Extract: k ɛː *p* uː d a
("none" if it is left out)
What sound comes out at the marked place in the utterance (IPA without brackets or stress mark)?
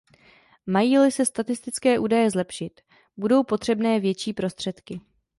ʔ